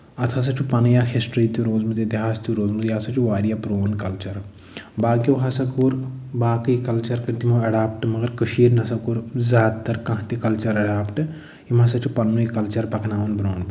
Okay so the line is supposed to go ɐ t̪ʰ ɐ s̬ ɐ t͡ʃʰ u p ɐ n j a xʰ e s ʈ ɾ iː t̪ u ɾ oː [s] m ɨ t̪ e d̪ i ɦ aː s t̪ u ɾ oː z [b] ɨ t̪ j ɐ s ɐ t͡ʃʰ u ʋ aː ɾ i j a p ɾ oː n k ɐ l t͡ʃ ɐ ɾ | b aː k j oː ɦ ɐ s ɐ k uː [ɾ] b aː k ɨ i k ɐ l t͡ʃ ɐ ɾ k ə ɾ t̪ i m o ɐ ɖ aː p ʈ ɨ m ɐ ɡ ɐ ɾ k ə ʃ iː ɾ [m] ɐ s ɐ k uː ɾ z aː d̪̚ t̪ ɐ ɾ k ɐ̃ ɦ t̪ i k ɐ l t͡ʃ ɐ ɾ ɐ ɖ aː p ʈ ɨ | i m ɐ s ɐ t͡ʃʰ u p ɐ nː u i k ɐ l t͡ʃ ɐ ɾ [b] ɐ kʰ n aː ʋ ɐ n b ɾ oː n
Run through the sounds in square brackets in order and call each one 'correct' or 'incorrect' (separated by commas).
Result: incorrect, incorrect, correct, incorrect, incorrect